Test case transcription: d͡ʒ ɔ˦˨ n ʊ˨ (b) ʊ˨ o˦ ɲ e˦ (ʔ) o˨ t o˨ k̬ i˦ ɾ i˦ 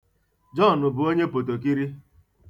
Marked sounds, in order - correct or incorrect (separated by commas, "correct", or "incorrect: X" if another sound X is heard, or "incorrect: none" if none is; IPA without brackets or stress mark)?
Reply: correct, incorrect: p